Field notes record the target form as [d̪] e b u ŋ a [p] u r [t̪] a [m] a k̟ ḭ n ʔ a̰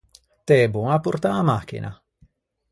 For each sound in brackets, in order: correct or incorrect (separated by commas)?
incorrect, correct, correct, correct